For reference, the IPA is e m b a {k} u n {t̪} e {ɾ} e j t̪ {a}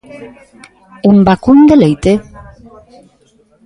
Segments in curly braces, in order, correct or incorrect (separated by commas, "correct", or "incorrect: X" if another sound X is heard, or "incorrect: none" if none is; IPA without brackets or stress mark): correct, incorrect: d̪, incorrect: l, incorrect: e